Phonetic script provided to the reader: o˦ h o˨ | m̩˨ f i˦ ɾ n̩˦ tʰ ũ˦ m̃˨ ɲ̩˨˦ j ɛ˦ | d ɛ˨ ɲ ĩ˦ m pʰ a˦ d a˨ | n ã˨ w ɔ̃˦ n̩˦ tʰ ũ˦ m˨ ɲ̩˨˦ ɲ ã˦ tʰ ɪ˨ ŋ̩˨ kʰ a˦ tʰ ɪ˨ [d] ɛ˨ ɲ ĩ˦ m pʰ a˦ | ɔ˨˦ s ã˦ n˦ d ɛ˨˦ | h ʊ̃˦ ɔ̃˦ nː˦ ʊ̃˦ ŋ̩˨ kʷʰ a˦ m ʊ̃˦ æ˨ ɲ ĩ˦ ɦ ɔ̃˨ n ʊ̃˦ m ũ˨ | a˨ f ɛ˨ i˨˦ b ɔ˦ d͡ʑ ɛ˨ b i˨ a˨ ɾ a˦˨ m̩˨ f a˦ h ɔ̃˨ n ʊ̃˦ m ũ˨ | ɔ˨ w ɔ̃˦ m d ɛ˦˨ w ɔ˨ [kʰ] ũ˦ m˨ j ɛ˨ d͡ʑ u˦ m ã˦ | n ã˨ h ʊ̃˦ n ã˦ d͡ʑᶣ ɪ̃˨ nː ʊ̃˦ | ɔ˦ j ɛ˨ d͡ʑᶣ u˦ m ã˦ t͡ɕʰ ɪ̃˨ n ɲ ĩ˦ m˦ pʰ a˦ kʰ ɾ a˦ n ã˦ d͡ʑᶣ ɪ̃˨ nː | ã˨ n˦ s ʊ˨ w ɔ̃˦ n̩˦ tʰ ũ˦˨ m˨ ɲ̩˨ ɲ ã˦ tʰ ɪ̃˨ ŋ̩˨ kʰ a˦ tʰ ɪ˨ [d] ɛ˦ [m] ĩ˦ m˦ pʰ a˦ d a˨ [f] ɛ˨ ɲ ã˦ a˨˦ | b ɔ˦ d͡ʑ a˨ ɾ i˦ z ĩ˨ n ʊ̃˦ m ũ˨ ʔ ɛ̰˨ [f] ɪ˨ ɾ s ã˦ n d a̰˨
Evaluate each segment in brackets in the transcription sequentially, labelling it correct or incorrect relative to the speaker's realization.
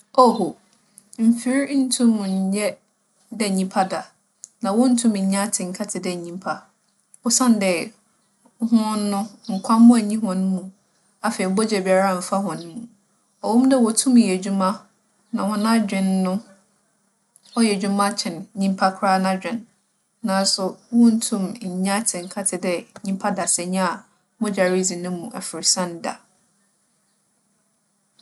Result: correct, incorrect: tʰ, correct, incorrect: ɲ, incorrect: s, correct

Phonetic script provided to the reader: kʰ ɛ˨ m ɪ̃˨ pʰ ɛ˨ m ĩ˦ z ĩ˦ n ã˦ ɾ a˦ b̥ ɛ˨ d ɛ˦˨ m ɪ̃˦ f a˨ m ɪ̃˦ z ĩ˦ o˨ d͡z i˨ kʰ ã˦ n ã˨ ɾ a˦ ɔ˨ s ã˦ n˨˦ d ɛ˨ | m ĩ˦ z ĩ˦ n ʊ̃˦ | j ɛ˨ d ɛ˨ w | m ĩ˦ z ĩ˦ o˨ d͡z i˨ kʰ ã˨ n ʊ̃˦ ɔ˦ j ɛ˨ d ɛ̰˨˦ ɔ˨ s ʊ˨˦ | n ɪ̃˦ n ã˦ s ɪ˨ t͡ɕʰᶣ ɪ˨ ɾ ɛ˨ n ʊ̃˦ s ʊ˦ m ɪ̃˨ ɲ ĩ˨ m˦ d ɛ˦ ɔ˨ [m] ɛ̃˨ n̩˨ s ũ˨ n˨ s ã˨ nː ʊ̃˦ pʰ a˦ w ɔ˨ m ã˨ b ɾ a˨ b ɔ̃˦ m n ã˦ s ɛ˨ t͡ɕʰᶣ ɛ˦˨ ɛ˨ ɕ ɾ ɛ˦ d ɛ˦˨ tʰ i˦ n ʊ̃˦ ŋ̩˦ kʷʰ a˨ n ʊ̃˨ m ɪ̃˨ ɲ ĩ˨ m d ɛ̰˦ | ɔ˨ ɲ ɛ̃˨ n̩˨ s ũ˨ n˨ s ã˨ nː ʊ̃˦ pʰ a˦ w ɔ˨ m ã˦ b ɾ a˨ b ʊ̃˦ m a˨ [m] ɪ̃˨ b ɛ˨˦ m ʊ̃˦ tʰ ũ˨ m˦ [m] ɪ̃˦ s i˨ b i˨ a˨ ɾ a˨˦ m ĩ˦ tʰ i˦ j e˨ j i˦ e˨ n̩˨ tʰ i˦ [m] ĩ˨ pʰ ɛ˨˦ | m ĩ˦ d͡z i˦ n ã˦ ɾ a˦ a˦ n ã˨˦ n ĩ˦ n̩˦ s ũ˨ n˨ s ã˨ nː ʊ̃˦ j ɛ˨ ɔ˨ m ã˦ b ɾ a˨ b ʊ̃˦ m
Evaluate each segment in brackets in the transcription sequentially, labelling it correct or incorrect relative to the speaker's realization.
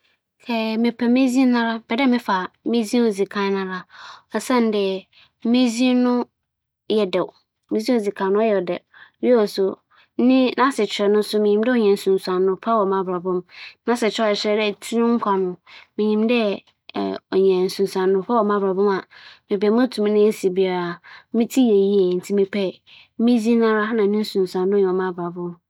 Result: incorrect: ɲ, correct, incorrect: n, correct

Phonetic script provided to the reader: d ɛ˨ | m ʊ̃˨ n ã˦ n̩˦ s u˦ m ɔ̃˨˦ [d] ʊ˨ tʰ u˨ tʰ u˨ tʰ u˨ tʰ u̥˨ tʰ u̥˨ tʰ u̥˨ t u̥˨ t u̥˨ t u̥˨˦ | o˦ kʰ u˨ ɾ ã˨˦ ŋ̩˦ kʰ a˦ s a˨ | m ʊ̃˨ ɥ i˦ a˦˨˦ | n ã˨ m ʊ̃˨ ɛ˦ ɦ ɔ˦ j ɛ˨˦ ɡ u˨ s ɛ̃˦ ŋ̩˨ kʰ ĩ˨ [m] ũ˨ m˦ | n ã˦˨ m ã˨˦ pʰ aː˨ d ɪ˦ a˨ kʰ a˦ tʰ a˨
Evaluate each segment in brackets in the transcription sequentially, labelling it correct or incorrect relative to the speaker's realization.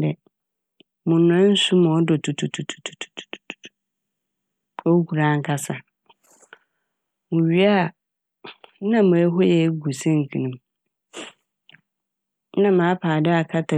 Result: correct, incorrect: n

